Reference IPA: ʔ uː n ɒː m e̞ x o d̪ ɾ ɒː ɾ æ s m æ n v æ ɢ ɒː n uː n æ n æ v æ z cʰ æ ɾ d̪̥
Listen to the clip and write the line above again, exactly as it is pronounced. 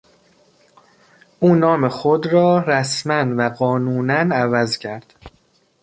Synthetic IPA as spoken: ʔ uː n ɒː m e̞ x o d̪ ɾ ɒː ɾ æ s m æ n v æ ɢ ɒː n uː n æ n æ v æ z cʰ æ ɾ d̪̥